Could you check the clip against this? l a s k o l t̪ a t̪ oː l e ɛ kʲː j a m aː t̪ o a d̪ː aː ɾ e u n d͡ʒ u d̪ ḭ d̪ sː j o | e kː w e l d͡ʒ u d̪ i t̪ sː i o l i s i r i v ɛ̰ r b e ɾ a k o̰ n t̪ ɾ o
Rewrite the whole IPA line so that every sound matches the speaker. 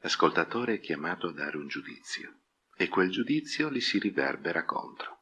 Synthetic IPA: l a s k o l t̪ a t̪ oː ɾ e ɛ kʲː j a m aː t̪ o a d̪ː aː ɾ e u n d͡ʒ u d̪ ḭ t̪ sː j o | e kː w e l d͡ʒ u d̪ i t̪ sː j o l i s i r i v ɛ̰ r b e ɾ a k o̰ n t̪ ɾ o